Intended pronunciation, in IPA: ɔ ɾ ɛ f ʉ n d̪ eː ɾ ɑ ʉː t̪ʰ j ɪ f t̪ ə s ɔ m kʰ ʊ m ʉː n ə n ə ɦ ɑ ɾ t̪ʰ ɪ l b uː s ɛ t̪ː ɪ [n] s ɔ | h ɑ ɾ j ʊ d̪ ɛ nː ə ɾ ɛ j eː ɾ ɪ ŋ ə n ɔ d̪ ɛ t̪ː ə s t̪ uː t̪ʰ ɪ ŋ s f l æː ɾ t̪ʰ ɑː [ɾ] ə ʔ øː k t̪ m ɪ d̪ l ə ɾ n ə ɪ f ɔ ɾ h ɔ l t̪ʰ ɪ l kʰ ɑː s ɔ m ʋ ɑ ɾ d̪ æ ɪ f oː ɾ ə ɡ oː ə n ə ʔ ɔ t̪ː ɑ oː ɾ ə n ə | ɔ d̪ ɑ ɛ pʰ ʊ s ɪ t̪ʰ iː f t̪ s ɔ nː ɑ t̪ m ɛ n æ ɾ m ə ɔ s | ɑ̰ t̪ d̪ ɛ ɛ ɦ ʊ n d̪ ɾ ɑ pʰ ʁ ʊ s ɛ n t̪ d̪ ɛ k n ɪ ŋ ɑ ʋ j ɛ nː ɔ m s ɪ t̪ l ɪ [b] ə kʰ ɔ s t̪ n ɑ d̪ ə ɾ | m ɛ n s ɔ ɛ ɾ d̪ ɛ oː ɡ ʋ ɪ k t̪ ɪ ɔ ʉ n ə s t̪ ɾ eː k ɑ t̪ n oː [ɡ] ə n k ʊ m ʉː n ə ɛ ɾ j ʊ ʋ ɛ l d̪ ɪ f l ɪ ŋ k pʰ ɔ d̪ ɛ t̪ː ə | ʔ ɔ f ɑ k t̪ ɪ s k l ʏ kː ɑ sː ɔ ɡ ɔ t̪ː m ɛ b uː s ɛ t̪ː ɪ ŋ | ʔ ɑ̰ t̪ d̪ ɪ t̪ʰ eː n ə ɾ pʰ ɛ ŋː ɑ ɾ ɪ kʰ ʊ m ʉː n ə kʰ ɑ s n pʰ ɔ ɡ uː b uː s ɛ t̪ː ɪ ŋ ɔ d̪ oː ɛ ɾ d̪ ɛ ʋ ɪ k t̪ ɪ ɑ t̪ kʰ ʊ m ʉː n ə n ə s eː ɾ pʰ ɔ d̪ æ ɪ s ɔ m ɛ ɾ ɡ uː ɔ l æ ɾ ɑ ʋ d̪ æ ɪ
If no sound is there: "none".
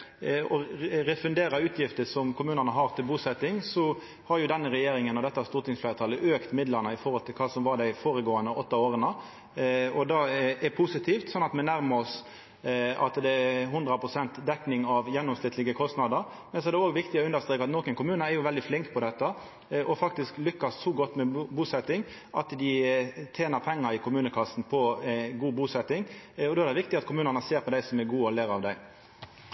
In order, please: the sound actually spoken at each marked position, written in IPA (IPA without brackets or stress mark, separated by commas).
ŋ, l, ɡ, k